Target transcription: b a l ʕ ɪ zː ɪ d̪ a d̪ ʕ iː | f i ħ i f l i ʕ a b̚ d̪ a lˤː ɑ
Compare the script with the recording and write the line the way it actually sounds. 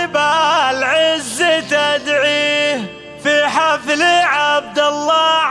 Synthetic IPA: b a l ʕ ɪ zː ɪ t̪ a d̪ ʕ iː | f i ħ a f l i ʕ a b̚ d̪ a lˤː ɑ